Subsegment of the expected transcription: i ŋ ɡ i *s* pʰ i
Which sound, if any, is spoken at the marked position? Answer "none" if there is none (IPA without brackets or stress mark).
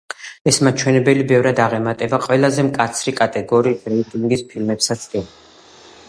s